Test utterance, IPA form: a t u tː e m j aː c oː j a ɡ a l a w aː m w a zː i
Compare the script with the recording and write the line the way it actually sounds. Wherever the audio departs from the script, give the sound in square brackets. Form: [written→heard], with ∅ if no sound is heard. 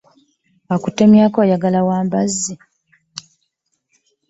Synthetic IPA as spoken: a [t→k] u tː e m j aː [c→k] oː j a ɡ a l a w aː m [w→b] a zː i

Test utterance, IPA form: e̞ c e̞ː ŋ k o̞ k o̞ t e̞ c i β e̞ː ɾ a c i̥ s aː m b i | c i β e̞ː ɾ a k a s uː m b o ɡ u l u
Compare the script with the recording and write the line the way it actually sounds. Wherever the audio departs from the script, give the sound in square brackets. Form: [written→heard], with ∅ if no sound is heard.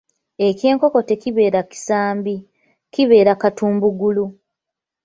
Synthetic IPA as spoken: e̞ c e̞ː ŋ k o̞ k o̞ t e̞ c i β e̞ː ɾ a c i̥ s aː m b i | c i β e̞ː ɾ a k a [s→t] uː m b [o→u] ɡ u l u

